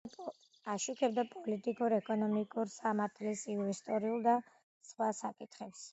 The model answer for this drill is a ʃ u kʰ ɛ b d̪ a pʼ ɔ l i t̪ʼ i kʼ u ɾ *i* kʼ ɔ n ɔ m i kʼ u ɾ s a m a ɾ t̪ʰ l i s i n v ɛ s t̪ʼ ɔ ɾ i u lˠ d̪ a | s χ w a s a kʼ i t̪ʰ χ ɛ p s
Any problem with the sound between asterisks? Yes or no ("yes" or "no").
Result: yes